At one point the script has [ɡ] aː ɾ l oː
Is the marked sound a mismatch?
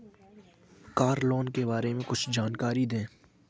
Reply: yes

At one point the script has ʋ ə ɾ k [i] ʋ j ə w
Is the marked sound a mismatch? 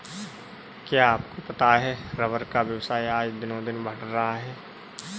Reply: yes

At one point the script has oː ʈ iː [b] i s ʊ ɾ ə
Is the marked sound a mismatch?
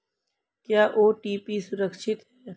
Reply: yes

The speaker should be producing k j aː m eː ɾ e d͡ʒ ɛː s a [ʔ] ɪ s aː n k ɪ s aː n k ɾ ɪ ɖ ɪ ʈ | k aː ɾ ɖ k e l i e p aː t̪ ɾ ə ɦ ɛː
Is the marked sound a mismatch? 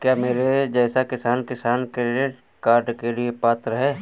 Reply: yes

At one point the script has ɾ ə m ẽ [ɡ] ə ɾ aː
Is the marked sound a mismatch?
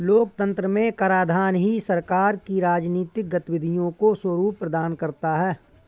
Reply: yes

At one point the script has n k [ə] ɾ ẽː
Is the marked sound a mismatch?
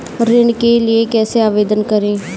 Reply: no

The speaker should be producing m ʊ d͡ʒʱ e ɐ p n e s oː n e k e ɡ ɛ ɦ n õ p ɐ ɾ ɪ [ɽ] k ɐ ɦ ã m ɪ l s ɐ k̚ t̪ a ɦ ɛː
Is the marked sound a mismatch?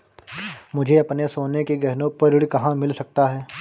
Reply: no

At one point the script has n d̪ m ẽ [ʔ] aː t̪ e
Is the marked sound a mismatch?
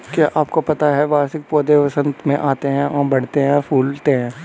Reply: no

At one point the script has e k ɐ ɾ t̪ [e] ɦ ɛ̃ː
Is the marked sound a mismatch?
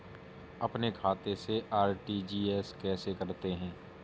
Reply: no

